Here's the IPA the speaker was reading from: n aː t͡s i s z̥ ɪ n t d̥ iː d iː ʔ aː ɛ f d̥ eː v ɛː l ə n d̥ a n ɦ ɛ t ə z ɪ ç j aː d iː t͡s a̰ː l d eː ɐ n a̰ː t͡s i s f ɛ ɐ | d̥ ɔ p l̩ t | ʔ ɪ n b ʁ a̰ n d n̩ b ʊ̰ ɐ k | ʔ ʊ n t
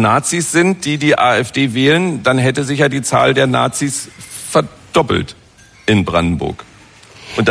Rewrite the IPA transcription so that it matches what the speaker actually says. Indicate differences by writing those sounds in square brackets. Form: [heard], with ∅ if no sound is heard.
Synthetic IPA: n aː t͡s i s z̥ ɪ n t d̥ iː d iː ʔ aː ɛ f d̥ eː v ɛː l ə n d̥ a n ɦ ɛ t ə z ɪ ç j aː d iː t͡s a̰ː l d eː ɐ n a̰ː t͡s i s f ɛ ɐ | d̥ ɔ p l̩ t | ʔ ɪ n b ʁ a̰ n d n̩ b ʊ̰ ɐ k | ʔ ʊ n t